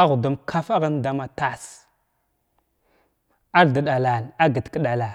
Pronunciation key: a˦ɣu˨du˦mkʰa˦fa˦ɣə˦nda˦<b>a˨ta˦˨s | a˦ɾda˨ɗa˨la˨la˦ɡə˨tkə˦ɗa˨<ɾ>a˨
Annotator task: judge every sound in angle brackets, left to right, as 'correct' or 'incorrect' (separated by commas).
incorrect, incorrect